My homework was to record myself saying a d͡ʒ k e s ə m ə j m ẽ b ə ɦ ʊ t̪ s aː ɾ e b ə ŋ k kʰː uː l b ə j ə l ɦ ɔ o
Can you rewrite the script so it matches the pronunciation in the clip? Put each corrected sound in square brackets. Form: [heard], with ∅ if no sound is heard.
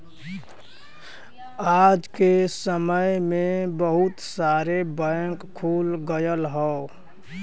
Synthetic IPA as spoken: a d͡ʒ k e s ə m ə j m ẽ b ə ɦ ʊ t̪ s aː ɾ e b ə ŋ k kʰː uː l [ɡ] ə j ə l ɦ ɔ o